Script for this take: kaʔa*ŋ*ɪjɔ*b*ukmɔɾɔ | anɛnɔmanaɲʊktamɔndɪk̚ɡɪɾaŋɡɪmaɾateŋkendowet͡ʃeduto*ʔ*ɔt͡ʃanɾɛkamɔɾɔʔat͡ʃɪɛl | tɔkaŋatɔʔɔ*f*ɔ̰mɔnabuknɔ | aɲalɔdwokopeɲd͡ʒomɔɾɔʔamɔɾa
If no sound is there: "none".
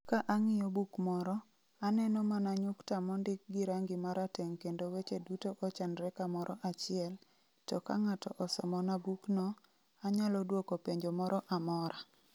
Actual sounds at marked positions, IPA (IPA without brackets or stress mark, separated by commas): ŋ, b, ʔ, s